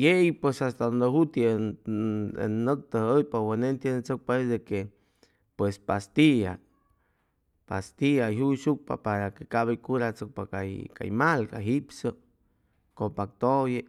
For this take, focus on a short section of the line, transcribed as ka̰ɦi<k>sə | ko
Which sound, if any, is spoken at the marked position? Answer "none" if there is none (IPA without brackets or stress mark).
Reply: p